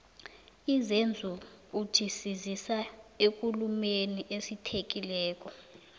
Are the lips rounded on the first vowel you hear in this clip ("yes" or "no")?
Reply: no